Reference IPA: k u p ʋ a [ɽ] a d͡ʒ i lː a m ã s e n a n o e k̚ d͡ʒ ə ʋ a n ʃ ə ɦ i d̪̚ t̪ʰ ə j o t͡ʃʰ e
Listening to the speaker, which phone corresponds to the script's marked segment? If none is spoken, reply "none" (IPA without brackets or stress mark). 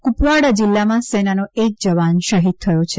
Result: ɽ